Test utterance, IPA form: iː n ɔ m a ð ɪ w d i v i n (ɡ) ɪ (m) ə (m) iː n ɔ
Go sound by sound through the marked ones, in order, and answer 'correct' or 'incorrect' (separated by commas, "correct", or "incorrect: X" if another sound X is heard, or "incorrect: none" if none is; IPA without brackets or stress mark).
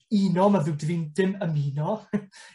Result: incorrect: d, correct, correct